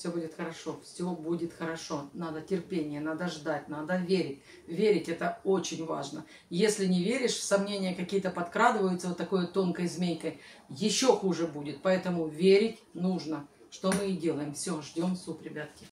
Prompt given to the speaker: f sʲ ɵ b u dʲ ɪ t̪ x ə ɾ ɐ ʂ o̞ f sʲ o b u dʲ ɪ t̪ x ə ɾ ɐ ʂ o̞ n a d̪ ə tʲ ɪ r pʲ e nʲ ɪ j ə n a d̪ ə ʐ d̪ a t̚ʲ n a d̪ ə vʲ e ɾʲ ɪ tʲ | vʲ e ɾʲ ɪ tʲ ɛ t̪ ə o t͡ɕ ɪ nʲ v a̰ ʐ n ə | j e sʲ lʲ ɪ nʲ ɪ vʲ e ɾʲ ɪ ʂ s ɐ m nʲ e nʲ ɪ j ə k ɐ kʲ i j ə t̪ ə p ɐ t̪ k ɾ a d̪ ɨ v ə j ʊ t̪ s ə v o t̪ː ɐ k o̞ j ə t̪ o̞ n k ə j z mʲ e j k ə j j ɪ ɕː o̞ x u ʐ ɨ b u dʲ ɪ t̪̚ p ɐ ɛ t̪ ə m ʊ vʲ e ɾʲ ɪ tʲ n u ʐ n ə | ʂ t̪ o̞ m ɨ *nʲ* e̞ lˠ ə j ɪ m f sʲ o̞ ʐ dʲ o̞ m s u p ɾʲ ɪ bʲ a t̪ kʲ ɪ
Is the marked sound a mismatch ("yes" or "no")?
yes